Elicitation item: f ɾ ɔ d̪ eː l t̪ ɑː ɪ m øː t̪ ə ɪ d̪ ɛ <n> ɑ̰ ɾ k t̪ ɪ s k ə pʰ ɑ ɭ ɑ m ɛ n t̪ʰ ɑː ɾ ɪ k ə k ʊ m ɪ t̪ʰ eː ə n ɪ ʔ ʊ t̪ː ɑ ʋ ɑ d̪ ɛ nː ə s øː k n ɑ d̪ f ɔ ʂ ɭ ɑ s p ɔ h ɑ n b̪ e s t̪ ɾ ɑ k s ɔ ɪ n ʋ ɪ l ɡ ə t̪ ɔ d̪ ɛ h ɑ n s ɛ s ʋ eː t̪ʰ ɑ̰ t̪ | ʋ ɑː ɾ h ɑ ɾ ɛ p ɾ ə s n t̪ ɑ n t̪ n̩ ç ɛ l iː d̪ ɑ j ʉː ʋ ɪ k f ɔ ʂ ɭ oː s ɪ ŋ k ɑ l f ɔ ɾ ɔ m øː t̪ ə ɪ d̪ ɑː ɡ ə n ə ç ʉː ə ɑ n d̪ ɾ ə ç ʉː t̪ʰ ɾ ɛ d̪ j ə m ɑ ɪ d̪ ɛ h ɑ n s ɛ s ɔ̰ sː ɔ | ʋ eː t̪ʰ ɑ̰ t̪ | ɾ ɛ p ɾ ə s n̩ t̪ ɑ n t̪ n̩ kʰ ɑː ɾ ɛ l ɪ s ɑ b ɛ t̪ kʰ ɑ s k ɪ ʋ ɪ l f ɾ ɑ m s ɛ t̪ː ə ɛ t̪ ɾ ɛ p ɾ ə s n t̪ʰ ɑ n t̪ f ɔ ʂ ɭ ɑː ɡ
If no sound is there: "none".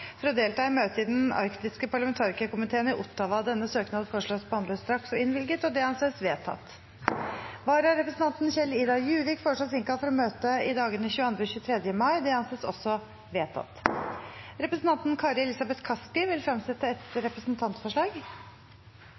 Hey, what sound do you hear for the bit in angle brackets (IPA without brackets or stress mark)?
n